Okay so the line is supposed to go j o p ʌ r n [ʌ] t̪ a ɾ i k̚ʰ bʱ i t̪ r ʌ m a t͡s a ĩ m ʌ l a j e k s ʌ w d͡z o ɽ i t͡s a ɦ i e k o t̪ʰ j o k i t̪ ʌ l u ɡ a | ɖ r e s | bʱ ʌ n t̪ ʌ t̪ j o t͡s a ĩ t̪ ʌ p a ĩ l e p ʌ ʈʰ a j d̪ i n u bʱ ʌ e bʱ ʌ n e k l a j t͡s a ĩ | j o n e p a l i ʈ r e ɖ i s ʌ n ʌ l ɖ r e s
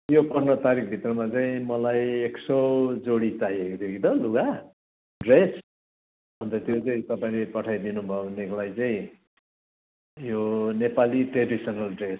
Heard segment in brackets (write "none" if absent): ʌ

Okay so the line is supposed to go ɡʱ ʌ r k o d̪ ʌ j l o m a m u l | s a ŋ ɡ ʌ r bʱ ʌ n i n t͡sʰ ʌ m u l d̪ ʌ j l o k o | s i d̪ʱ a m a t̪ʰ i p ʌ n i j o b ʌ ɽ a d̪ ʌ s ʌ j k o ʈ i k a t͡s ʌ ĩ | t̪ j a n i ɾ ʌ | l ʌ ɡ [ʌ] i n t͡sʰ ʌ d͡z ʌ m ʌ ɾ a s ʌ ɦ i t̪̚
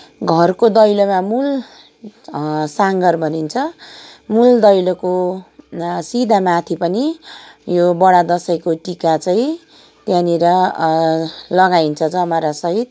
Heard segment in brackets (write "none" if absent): a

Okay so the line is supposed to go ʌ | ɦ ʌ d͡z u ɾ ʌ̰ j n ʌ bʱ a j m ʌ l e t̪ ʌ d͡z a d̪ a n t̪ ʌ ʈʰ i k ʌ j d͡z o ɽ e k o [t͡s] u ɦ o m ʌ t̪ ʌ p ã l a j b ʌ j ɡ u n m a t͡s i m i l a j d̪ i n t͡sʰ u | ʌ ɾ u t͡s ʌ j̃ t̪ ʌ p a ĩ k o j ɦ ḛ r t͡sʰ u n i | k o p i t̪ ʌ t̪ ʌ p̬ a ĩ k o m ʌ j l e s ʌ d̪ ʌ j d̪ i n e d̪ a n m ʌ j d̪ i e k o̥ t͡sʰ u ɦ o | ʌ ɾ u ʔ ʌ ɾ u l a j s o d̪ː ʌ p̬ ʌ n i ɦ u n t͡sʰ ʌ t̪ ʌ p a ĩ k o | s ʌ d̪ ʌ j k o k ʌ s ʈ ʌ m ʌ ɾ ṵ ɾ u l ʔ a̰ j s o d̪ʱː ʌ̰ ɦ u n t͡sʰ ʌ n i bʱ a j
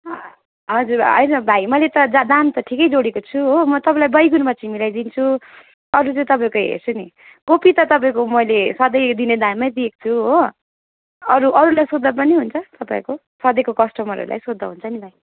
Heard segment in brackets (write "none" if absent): t͡sʰ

